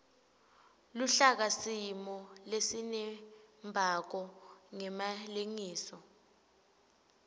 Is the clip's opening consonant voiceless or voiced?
voiced